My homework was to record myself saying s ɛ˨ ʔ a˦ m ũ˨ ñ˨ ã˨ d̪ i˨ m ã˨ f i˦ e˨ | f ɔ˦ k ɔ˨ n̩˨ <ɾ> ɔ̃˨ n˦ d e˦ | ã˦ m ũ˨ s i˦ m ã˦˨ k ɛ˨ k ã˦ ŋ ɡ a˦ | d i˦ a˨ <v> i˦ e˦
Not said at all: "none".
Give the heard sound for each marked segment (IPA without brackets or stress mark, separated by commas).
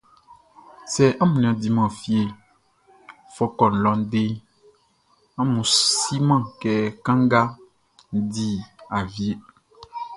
l, v